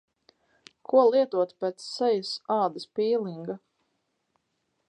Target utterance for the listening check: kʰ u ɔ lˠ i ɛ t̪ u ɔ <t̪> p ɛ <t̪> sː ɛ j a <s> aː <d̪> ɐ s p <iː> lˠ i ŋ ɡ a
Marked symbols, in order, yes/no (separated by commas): yes, yes, yes, yes, yes